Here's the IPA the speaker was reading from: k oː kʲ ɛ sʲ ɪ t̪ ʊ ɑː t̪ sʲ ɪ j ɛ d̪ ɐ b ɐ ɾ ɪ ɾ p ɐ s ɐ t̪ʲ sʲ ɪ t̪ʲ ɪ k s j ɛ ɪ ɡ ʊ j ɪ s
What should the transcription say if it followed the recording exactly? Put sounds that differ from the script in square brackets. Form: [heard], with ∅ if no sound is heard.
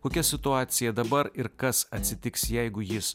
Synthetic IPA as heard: k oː kʲ ɛ sʲ ɪ t̪ ʊ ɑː t̪ sʲ ɪ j ɛ d̪ ɐ b ɐ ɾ ɪ ɾ [k] ɐ s ɐ t̪ʲ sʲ ɪ t̪ʲ ɪ k s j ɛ ɪ ɡ ʊ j ɪ s

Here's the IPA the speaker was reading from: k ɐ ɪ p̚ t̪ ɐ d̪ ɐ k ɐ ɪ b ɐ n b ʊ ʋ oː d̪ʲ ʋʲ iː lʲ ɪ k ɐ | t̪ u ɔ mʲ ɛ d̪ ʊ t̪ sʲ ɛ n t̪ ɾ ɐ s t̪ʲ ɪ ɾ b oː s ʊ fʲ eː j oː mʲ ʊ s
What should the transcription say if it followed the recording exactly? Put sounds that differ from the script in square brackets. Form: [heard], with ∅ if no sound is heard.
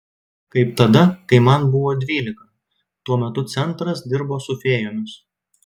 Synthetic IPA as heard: k ɐ ɪ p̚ t̪ ɐ d̪ ɐ k ɐ ɪ [m] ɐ n b ʊ ʋ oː d̪ʲ ʋʲ iː lʲ ɪ k ɐ | t̪ u ɔ mʲ ɛ [t̪] ʊ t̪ sʲ ɛ n t̪ ɾ ɐ s [d̪ʲ] ɪ ɾ b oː s ʊ fʲ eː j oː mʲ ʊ s

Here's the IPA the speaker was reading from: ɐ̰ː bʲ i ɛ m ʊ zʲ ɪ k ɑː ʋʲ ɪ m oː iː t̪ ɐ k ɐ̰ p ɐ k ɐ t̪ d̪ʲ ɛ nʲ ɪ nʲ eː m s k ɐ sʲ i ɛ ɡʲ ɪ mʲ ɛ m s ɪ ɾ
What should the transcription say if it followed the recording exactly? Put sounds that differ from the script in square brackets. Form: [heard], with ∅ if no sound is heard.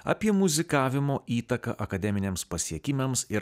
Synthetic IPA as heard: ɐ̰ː [pʲ] i ɛ m ʊ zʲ ɪ k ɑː ʋʲ ɪ m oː iː t̪ ɐ k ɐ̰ [ʔ] ɐ k ɐ [∅] d̪ʲ ɛ [mʲ] ɪ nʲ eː m s [p] ɐ sʲ i ɛ [kʲ] ɪ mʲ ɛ m s ɪ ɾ

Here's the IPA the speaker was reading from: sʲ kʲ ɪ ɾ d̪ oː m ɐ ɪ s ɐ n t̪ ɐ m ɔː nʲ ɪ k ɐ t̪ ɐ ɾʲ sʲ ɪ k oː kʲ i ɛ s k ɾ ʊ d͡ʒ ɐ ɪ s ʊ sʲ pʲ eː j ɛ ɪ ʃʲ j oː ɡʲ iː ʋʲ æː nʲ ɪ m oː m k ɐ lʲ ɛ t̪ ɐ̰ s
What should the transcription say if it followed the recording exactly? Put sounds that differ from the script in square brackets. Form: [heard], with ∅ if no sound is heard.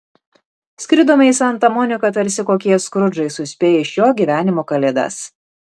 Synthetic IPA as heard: sʲ kʲ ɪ ɾ d̪ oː m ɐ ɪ s ɐ n t̪ ɐ m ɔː nʲ ɪ k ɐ t̪ ɐ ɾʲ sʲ ɪ k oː kʲ i ɛ s k ɾ ʊ d͡ʒ ɐ ɪ s ʊ sʲ pʲ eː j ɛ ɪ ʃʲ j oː ɡʲ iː ʋʲ æː nʲ ɪ m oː [∅] k ɐ lʲ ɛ [d̪] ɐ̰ s

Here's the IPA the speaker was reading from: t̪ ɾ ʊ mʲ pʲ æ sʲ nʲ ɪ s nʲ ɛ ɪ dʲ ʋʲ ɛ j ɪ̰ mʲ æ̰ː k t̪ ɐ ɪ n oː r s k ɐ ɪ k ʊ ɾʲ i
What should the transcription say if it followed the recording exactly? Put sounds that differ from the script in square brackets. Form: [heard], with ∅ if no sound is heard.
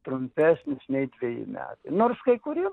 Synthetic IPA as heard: t̪ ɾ ʊ mʲ pʲ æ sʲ nʲ ɪ s nʲ ɛ ɪ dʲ ʋʲ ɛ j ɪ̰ mʲ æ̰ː [∅] t̪ ɐ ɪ n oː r s k ɐ ɪ k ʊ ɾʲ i

